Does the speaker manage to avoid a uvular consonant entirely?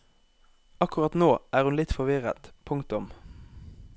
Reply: no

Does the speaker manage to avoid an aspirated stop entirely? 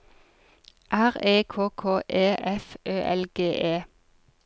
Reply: no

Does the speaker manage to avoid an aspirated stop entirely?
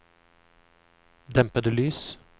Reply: yes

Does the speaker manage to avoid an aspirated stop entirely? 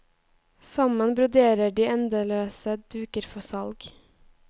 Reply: yes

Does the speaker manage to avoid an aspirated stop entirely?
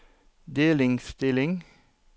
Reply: yes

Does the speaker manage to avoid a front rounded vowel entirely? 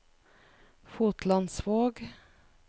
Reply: yes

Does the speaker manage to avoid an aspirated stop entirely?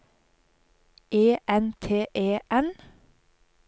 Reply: no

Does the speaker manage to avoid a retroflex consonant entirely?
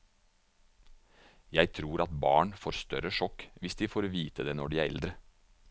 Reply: no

